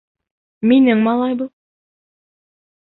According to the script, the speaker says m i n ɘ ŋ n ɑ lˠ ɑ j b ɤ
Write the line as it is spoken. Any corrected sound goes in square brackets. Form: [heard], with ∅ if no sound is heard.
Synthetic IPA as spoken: m i n ɘ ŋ [m] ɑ lˠ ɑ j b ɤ